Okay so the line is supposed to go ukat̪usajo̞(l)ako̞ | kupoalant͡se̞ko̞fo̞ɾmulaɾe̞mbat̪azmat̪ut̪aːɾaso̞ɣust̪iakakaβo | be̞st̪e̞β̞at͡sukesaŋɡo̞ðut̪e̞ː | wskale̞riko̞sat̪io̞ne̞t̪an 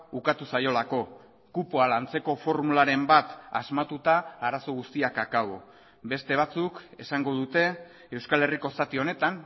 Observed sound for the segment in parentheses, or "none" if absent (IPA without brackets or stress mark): l